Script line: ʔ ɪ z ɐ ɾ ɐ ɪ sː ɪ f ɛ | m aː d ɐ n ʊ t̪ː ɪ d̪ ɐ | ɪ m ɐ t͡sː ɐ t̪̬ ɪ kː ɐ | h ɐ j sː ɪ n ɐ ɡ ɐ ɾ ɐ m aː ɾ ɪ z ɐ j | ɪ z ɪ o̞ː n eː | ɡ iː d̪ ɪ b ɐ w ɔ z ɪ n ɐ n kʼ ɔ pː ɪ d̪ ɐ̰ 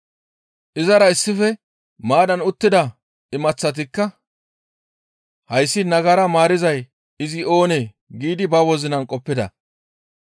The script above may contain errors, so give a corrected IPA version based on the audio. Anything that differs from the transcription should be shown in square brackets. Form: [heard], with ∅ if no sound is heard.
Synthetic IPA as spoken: ʔ ɪ z ɐ ɾ ɐ ɪ sː ɪ f ɛ | m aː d ɐ n ʊ t̪ː ɪ d̪ ɐ | ɪ m ɐ t͡sː ɐ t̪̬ ɪ kː ɐ | h ɐ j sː ɪ n ɐ ɡ ɐ ɾ ɐ m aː ɾ ɪ z ɐ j | ɪ z ɪ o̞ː n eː | ɡ iː d̪ ɪ b ɐ w ɔ z ɪ n ɐ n kʼ ɔ pː ɪ d̪ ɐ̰